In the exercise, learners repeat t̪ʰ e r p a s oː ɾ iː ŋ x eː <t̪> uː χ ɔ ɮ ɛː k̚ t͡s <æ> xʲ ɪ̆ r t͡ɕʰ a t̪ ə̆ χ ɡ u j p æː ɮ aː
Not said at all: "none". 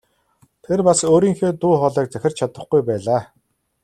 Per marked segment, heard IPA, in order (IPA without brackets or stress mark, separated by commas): t̪, æ